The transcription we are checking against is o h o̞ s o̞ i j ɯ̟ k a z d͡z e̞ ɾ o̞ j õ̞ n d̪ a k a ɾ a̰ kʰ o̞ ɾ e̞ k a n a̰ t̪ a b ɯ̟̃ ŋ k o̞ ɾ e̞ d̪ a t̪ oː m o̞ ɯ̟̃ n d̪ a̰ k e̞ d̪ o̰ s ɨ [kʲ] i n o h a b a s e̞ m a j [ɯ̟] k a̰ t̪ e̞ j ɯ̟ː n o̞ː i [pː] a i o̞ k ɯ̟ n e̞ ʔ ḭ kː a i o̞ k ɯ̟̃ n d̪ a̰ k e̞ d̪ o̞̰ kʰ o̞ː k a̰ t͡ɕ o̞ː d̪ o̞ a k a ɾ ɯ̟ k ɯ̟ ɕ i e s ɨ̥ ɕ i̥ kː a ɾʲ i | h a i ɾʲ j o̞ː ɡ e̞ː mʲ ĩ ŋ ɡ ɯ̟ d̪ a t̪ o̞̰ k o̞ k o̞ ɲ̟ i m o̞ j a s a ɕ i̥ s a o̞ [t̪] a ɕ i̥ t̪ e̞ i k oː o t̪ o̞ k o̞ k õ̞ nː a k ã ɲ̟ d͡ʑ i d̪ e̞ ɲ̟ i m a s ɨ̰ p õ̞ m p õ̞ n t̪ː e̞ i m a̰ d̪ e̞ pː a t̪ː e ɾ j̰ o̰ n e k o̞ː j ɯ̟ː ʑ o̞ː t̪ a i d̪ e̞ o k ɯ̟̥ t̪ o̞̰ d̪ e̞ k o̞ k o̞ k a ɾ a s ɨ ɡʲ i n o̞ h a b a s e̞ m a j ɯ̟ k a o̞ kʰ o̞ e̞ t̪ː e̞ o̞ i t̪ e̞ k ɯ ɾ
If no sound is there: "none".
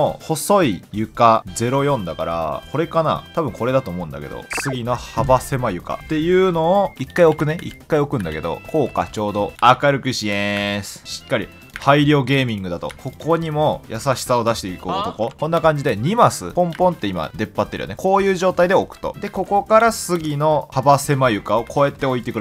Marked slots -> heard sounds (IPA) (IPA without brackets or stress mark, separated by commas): ɡʲ, ɯ̟, kː, d̪